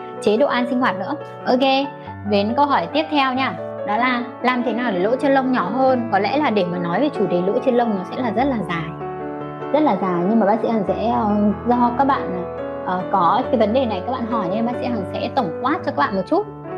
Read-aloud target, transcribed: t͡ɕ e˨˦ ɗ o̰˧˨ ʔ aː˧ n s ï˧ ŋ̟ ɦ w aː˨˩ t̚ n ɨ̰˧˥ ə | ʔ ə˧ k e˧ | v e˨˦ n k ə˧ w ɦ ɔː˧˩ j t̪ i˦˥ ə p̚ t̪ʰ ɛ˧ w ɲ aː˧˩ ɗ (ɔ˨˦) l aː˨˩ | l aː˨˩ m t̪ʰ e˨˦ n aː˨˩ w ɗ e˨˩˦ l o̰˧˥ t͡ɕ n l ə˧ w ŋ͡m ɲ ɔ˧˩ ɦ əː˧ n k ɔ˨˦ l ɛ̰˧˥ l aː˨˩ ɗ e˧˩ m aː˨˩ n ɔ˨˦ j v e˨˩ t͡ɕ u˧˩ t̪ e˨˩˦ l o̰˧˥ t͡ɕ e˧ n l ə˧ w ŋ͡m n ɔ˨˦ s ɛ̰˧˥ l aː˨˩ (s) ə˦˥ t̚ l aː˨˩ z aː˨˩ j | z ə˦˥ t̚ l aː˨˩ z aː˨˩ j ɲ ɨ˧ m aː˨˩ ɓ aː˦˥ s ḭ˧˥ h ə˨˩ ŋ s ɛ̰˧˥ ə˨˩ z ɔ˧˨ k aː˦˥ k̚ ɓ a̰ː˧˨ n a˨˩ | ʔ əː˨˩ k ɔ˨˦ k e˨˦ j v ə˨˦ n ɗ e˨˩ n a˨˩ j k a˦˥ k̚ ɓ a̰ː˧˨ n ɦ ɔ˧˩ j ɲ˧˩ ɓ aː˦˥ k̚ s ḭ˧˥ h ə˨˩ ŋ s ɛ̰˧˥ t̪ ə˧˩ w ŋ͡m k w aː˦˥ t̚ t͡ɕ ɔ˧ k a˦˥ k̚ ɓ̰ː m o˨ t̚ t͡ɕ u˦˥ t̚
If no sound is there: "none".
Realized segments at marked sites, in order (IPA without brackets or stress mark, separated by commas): ɔ˨˦, z